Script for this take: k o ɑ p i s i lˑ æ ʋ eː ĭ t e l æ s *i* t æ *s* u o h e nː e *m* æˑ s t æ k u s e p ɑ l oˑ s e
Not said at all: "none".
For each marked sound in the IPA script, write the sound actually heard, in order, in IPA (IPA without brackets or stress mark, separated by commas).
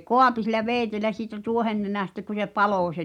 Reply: iː, t, n